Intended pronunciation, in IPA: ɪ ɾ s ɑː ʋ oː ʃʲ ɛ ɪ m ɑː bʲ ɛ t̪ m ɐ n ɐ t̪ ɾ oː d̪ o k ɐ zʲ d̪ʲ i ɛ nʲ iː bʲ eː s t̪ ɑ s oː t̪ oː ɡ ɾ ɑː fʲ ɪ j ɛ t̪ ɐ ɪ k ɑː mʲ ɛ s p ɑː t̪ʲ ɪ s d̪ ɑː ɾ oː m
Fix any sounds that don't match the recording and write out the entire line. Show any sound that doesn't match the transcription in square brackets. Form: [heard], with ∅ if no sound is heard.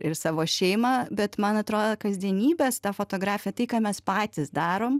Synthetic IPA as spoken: ɪ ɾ s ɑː ʋ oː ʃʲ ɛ ɪ m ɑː bʲ ɛ t̪ m ɐ n ɐ t̪ ɾ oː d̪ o k ɐ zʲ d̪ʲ i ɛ nʲ iː bʲ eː s t̪ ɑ [f] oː t̪ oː ɡ ɾ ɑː fʲ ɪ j ɛ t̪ ɐ ɪ k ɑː mʲ ɛ s p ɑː t̪ʲ ɪ s d̪ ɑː ɾ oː m